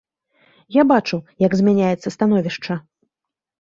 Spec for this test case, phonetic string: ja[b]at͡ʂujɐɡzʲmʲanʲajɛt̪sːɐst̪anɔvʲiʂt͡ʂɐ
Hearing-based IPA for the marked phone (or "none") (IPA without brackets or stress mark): b